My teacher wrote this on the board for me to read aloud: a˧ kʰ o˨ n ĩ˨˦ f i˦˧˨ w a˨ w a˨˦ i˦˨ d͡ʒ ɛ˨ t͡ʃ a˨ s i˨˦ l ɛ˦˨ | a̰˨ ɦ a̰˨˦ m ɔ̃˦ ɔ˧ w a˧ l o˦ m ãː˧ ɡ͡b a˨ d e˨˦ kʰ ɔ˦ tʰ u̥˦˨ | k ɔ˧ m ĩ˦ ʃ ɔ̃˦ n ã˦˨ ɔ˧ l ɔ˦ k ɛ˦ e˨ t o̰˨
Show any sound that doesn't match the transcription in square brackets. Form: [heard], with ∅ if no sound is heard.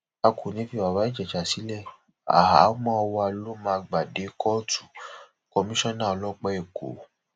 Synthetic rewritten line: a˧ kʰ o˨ n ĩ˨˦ f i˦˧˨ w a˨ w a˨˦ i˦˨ d͡ʒ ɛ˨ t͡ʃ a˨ s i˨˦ l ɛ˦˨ | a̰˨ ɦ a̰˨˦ m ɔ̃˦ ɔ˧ w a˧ l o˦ m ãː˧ ɡ͡b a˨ d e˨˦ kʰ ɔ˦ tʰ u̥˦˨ | k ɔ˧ m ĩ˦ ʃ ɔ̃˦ n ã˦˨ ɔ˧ l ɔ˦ [k͡p] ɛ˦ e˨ [k] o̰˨